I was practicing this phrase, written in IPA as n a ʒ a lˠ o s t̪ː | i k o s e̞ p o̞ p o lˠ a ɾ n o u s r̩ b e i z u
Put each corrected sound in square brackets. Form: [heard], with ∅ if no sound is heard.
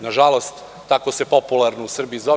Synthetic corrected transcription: n a ʒ a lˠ o s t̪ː | [a] k o s e̞ p o̞ p [u] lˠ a ɾ n o u s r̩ b [i] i z [o]